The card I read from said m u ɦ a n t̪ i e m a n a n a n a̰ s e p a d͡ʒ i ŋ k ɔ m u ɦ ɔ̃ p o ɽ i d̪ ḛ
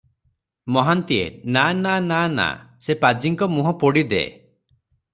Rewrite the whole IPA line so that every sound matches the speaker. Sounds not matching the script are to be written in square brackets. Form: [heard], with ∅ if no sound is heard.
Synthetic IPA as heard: m [ɔ] ɦ a n t̪ i e [n] a n a n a n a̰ s e p a d͡ʒ i ŋ k ɔ m u ɦ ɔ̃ p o ɽ i d̪ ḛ